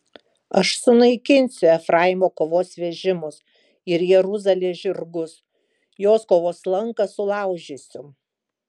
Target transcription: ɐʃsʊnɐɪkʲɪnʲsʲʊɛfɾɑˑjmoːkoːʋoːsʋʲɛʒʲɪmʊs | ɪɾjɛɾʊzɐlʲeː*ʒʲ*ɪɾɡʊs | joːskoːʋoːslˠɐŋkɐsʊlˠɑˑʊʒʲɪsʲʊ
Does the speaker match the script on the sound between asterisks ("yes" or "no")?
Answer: yes